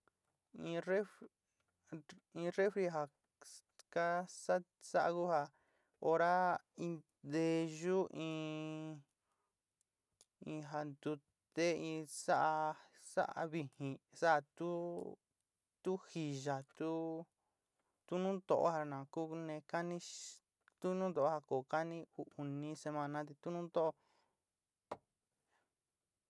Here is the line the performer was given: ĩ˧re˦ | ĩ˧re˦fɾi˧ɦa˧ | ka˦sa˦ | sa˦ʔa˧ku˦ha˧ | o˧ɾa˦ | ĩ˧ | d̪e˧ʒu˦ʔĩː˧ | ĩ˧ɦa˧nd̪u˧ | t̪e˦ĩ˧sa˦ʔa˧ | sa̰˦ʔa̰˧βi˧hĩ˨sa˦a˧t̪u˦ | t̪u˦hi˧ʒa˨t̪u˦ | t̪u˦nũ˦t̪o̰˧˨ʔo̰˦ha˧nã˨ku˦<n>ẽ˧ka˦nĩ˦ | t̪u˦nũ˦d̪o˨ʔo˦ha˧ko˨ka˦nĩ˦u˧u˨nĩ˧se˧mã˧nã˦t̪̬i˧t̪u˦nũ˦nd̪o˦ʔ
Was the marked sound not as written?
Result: no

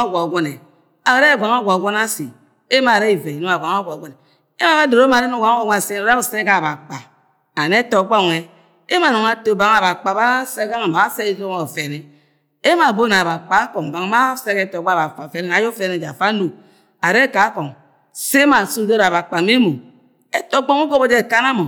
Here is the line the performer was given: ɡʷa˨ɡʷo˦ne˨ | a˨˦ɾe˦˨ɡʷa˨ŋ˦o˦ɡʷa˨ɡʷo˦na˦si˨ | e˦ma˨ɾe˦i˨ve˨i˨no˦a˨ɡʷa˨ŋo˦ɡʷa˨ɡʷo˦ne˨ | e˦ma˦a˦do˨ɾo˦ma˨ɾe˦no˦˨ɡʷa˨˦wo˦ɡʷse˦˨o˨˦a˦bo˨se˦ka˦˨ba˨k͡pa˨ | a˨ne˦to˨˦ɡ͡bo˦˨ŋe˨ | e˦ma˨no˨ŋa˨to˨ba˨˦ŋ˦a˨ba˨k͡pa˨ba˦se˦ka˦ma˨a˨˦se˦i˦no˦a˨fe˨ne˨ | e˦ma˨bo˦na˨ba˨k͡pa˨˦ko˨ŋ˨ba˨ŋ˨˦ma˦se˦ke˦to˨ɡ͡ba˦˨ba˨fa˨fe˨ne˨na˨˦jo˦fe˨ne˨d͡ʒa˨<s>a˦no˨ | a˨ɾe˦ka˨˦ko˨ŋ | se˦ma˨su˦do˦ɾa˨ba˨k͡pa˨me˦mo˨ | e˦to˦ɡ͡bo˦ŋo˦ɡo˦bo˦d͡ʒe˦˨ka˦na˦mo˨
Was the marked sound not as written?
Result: yes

